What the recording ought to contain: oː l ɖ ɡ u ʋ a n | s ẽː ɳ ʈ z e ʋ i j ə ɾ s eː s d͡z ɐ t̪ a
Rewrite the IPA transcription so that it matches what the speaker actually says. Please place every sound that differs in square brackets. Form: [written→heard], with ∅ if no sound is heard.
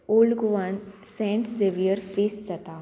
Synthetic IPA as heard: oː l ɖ ɡ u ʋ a n | s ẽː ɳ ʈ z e ʋ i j ə ɾ [s→f] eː s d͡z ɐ t̪ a

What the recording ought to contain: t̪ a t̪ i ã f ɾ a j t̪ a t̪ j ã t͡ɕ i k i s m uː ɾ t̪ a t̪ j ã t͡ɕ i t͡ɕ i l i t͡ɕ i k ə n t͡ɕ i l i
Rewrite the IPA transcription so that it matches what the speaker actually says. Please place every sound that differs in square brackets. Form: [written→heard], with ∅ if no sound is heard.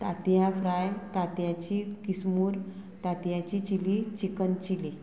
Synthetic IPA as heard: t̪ a t̪ [i→j] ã f ɾ a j t̪ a t̪ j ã t͡ɕ i k i s m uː ɾ t̪ a t̪ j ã t͡ɕ i t͡ɕ i l i t͡ɕ i k ə n t͡ɕ i l i

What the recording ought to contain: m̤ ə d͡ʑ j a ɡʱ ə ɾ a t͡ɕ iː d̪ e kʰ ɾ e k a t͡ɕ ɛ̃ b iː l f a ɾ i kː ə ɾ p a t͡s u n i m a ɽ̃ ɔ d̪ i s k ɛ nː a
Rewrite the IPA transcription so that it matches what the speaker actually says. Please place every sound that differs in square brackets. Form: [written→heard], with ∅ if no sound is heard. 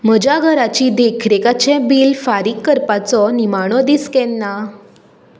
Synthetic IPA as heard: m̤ ə d͡ʑ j a ɡʱ ə ɾ a t͡ɕ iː d̪ e kʰ ɾ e k a t͡ɕ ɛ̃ b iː l f a ɾ i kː ə ɾ p a t͡s [u→ɔ] n i m a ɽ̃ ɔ d̪ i s k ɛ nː a

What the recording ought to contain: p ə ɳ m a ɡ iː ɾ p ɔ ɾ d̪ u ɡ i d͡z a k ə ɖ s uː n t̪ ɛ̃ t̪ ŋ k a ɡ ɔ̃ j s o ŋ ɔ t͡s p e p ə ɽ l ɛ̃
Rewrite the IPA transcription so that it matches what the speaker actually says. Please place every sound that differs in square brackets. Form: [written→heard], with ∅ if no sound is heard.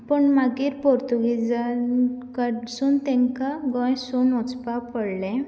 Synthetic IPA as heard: p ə ɳ m a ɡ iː ɾ p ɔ ɾ [d̪→t̪] u ɡ i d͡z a k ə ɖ s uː n t̪ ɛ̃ [t̪→∅] ŋ k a ɡ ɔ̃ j s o [ŋ→n] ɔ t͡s p [e→a] p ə ɽ l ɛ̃

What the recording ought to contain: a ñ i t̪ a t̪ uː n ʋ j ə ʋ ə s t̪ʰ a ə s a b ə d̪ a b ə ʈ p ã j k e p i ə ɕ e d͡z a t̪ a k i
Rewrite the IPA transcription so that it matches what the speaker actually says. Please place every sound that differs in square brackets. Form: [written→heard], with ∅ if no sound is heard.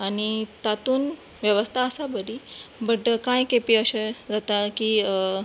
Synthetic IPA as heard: a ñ i t̪ a t̪ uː n ʋ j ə ʋ ə s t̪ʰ a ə s a b ə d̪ [a→i] b ə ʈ [p→k] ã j k e p i ə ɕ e d͡z a t̪ a k i

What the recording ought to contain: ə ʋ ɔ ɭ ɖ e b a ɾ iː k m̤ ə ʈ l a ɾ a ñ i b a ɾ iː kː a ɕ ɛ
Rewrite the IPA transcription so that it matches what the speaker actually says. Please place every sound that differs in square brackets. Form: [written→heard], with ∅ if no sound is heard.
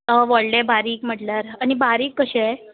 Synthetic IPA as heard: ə ʋ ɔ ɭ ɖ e b a ɾ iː k m̤ ə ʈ l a ɾ a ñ i b a ɾ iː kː [a→ə] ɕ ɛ

